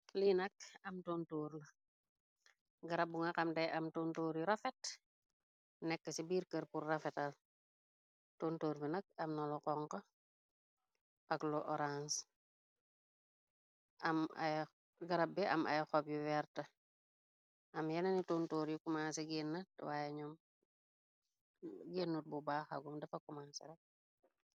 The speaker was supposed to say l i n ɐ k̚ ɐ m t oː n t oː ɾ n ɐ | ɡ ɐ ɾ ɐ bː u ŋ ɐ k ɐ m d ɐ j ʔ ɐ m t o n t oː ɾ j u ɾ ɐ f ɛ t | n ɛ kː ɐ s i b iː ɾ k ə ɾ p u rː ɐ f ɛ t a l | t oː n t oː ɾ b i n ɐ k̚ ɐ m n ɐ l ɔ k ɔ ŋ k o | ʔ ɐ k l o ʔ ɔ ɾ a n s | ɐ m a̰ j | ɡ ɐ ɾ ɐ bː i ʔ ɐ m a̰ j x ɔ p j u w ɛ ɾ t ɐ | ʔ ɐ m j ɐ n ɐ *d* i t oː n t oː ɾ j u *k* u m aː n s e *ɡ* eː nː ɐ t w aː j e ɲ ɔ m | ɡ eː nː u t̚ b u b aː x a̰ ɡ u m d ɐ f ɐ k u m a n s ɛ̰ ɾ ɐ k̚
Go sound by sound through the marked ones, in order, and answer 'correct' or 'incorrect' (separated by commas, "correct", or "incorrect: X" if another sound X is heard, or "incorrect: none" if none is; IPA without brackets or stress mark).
incorrect: n, correct, correct